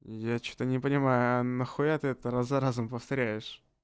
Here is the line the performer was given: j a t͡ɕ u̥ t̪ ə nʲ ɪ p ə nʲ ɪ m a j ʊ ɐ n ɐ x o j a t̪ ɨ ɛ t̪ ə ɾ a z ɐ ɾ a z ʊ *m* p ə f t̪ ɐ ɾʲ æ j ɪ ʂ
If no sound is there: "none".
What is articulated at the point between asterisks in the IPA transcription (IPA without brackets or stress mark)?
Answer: m